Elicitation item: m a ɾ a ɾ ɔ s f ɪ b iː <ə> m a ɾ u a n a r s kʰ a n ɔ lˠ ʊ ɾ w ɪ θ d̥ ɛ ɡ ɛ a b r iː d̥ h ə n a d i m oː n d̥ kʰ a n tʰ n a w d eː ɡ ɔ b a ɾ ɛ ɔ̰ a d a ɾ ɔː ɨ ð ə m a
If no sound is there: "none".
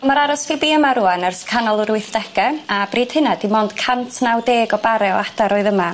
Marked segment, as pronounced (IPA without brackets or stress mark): ə